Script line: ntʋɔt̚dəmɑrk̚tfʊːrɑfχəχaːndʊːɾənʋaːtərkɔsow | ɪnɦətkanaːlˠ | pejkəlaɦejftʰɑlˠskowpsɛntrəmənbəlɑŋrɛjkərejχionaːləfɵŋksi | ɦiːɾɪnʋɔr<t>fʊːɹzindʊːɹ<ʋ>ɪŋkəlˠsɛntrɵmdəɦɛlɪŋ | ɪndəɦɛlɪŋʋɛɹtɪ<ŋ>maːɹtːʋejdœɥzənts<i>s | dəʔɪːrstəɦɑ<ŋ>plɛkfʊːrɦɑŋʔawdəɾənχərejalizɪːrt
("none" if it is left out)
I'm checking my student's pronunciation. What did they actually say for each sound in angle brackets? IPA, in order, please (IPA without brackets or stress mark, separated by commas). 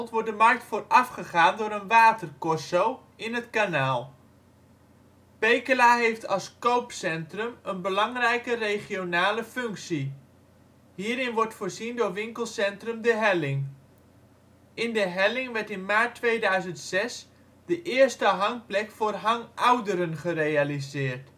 t, ʋ, n, ɛ, ŋ